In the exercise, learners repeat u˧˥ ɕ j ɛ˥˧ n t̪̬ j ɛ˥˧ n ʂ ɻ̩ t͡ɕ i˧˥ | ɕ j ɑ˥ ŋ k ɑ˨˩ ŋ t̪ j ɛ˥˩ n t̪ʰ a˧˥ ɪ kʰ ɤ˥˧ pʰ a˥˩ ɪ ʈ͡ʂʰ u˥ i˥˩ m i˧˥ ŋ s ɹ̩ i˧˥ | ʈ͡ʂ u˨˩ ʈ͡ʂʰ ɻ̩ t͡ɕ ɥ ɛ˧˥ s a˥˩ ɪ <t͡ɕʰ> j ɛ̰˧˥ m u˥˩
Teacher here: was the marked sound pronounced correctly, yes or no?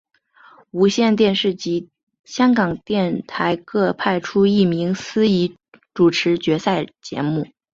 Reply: no